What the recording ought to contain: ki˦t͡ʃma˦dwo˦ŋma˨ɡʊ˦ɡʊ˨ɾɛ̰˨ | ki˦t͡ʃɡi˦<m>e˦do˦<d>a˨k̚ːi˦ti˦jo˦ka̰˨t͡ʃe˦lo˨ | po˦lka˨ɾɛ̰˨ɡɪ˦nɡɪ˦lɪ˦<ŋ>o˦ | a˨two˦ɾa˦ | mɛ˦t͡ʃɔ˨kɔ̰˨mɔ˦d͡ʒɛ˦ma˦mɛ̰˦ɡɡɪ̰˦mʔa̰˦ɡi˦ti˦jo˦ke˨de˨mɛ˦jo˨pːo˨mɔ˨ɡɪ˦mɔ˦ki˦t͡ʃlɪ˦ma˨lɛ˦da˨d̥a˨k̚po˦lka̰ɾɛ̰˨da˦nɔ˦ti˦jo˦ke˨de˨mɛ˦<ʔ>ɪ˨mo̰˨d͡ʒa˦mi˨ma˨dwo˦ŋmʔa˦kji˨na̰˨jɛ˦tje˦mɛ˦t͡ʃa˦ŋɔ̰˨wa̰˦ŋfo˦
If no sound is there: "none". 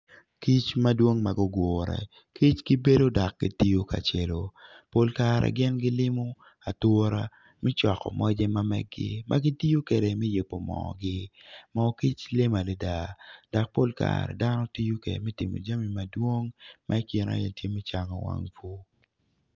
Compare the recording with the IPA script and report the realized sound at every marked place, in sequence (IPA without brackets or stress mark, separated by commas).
b, d, m, t